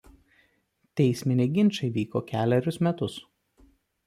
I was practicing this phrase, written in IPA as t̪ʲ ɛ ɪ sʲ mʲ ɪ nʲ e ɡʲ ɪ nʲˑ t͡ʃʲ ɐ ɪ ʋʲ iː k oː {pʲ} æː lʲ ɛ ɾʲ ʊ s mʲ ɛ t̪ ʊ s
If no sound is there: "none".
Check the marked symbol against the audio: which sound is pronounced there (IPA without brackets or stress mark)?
kʲ